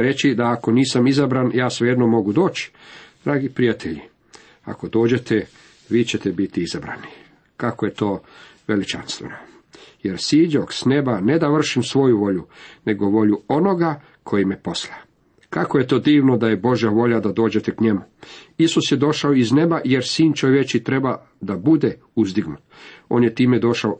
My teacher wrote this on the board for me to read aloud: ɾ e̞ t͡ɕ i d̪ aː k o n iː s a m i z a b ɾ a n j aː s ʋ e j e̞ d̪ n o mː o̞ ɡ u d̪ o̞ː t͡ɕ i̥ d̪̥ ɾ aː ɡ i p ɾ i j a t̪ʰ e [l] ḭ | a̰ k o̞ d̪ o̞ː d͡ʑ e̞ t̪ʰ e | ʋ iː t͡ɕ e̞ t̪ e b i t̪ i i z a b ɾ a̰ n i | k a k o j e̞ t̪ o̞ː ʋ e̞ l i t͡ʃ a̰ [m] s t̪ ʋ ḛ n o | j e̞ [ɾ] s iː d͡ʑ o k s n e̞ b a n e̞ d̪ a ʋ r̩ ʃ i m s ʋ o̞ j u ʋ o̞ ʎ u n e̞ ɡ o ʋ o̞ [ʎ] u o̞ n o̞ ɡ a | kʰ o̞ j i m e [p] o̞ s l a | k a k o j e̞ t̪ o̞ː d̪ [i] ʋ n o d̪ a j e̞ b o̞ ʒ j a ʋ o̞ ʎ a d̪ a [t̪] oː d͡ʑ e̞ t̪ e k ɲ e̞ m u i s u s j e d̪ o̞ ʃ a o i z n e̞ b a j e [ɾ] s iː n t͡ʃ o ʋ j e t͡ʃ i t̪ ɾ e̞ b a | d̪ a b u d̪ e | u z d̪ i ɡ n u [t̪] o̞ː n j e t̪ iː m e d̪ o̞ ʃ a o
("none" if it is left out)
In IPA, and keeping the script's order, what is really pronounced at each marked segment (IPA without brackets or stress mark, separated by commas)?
ʎ, n, ɾ, ʎ, p, iː, d̪, ɾ, t̪